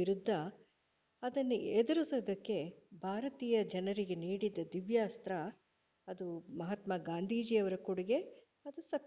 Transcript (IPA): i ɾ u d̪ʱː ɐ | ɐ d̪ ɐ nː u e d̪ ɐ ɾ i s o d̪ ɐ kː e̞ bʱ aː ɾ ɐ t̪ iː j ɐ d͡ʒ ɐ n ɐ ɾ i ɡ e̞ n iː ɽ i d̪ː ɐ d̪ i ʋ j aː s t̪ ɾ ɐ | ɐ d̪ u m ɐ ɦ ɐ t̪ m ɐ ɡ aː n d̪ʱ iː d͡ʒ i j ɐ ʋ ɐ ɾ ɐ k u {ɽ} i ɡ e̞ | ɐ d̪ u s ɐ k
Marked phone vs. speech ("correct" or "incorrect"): correct